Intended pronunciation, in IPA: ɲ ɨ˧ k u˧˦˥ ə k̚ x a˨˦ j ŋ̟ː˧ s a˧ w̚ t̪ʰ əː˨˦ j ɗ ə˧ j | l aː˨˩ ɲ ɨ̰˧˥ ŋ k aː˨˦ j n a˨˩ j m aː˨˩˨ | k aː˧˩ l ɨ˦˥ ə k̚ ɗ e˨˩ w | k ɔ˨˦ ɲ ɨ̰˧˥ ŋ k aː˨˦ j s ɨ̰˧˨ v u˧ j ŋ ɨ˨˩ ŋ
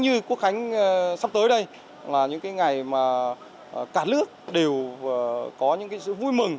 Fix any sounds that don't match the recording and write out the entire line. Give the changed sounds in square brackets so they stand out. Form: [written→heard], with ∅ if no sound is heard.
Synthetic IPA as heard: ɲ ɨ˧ k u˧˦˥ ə k̚ x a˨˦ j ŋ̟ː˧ s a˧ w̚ [t̪ʰ→t̪] əː˨˦ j ɗ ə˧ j | l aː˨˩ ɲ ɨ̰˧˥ ŋ k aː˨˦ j [n→ŋ] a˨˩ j m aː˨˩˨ | k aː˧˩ l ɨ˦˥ ə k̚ ɗ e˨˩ w | k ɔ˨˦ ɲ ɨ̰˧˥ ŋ k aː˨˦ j s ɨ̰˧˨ v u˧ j [ŋ→m] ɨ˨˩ ŋ